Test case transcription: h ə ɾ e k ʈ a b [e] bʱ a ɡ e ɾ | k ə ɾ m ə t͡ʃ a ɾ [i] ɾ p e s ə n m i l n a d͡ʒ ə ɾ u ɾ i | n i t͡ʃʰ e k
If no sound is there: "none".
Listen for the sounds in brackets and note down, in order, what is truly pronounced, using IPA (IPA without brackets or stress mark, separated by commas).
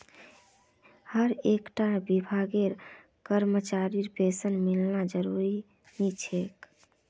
i, i